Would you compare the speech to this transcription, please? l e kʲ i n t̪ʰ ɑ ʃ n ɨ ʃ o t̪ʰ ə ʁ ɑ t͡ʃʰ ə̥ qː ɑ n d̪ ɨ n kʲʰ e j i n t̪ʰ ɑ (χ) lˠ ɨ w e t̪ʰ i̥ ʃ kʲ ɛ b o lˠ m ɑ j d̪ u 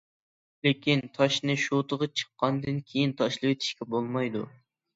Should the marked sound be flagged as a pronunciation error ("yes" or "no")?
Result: yes